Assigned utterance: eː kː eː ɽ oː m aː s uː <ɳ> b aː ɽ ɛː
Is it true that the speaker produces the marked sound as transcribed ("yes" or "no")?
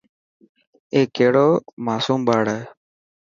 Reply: no